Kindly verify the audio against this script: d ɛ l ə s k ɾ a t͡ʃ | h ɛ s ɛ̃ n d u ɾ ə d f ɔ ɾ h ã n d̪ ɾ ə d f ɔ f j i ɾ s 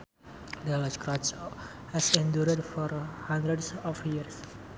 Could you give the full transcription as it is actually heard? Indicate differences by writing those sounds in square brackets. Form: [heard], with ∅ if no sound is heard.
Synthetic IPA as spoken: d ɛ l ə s k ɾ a t͡ʃ | h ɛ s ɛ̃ n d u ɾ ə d f ɔ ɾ h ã n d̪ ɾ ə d [s] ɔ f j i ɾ s

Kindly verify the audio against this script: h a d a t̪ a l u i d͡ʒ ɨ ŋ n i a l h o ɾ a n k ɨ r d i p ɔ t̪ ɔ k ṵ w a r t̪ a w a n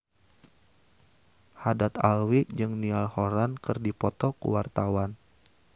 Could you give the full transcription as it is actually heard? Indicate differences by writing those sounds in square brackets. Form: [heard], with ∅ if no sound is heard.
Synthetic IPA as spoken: h a d a t̪ a l [w] i d͡ʒ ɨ ŋ n i a l h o ɾ a n k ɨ r d i p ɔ t̪ ɔ k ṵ w a r t̪ a w a n

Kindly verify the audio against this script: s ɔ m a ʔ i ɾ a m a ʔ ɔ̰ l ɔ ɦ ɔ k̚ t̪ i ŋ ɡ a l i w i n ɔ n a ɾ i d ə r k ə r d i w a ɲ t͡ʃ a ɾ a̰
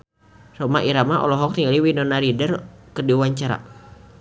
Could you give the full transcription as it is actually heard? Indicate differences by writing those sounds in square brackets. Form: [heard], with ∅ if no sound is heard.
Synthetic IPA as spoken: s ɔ m a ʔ i ɾ a m a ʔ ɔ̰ l ɔ ɦ ɔ k̚ t̪ i ŋ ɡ a l i w i n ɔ n a ɾ i d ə r k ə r d i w a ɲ t͡ʃ a ɾ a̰

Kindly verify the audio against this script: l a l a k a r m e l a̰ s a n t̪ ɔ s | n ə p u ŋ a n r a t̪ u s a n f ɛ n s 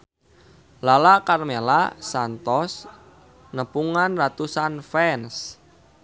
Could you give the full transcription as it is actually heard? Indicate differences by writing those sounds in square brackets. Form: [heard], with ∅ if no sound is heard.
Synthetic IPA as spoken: l a l a k a r m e l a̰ s a n t̪ ɔ s | n ə p u ŋ a n r a t̪ u s a n f ɛ n s

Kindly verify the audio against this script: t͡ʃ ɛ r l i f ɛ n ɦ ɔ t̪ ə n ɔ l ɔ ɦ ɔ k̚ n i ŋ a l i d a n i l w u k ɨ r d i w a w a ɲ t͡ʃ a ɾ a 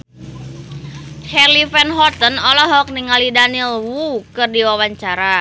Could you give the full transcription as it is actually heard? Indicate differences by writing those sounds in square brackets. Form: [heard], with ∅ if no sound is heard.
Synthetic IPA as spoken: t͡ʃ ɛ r l i f ɛ n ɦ ɔ t̪ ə n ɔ l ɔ ɦ ɔ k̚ n i ŋ a l i d a n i l w u k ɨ r d i w a w a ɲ t͡ʃ a ɾ a

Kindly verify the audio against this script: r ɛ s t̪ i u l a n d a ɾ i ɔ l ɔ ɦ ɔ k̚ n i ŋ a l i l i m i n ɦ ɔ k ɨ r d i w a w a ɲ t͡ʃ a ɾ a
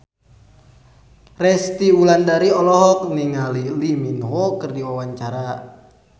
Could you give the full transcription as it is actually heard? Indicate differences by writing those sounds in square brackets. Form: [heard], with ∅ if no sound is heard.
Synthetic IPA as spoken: r ɛ s t̪ i u l a n d a ɾ i ɔ l ɔ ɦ ɔ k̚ n i ŋ a l i l i m i n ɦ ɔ k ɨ r d i w a w a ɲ t͡ʃ a ɾ a

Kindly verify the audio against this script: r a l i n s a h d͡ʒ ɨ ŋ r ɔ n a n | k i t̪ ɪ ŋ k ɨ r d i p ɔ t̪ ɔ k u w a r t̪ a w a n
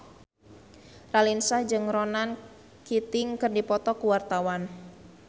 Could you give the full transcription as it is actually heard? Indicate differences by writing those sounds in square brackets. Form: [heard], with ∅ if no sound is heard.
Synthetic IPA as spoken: r a l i n s a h d͡ʒ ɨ ŋ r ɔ n a n | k i t̪ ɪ ŋ k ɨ r d i p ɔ t̪ ɔ k u w a r t̪ a w a n

